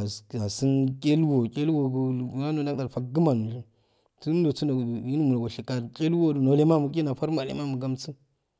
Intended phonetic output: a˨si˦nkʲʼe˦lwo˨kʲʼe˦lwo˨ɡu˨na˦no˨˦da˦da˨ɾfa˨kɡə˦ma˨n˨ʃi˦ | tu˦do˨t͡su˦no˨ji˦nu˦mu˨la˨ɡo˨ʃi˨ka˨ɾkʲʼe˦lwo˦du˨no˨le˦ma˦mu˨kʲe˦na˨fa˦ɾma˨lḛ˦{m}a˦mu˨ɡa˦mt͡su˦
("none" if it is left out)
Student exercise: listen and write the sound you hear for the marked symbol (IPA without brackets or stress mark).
m